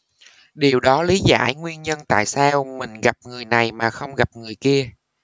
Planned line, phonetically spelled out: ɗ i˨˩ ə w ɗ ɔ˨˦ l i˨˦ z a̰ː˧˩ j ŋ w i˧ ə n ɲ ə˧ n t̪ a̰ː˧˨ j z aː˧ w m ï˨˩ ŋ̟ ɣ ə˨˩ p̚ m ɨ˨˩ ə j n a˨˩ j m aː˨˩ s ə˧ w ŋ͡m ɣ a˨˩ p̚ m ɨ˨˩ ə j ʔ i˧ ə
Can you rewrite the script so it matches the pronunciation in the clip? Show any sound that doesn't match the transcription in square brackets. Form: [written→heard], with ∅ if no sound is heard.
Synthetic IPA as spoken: ɗ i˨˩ ə w ɗ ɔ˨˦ l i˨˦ z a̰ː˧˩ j ŋ w i˧ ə n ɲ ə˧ n t̪ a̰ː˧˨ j [z→s] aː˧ w m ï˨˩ ŋ̟ ɣ [ə˨˩→a˨˩] p̚ [m→ŋ] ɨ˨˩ ə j n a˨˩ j m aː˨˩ [s→x] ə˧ w ŋ͡m ɣ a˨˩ p̚ [m→ŋ] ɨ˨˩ ə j [ʔ→k] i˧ ə